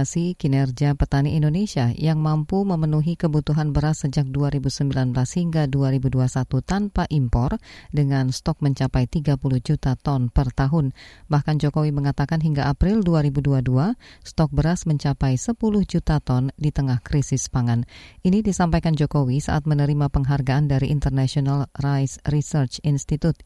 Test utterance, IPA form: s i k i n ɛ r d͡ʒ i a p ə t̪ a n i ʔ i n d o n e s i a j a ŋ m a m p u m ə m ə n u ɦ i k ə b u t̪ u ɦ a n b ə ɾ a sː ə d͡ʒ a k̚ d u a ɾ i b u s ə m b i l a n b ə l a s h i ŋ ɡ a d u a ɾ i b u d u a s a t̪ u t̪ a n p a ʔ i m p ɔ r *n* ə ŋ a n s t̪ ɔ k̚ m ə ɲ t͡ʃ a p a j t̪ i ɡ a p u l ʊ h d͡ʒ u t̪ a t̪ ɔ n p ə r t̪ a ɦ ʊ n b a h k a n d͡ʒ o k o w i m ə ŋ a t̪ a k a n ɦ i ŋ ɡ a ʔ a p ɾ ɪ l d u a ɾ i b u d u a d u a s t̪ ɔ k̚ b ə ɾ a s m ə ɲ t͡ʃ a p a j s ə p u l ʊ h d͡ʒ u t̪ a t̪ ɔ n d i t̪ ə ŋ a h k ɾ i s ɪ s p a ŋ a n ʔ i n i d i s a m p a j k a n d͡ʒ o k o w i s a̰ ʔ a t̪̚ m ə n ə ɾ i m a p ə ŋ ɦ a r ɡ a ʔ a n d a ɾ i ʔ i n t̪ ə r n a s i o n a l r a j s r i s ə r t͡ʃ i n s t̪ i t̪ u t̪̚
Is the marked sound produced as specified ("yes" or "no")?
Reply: no